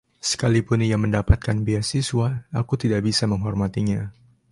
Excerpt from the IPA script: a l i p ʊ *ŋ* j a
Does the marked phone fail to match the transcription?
yes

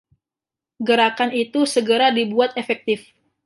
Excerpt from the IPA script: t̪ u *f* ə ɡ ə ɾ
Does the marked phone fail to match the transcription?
yes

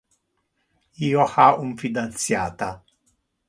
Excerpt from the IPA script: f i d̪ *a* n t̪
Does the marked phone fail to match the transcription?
no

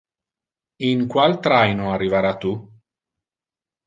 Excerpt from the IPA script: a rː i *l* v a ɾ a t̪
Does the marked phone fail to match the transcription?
yes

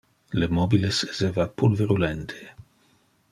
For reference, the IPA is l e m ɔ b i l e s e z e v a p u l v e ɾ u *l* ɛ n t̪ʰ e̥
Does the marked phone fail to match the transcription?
no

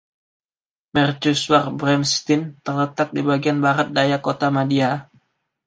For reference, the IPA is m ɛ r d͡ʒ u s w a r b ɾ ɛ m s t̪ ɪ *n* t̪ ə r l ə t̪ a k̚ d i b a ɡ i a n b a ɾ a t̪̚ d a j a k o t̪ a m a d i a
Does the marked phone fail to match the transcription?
no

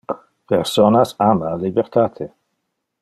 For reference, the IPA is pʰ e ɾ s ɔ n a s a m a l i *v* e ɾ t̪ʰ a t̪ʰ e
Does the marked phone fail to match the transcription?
yes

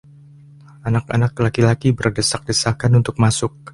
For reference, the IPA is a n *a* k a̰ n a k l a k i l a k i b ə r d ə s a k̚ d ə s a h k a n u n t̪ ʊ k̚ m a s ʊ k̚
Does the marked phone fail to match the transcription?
no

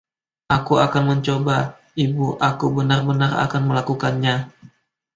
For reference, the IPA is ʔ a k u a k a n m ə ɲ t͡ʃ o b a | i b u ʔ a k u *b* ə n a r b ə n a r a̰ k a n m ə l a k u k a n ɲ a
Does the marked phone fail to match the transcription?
no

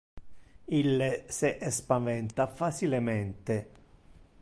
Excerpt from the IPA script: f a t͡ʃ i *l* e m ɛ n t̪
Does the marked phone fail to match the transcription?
no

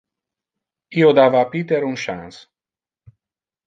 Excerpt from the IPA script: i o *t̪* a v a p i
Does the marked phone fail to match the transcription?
yes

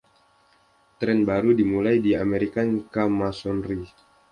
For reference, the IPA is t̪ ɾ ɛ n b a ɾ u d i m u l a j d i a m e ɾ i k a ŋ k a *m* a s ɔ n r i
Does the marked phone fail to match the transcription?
no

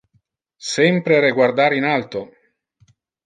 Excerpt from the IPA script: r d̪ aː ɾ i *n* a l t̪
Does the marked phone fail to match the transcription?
no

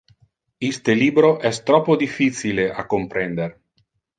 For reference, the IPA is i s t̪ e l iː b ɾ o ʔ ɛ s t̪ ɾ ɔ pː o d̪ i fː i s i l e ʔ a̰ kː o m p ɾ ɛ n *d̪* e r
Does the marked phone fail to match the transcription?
no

